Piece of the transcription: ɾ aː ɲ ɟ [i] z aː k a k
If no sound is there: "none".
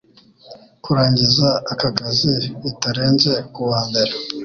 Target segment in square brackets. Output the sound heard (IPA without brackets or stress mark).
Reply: i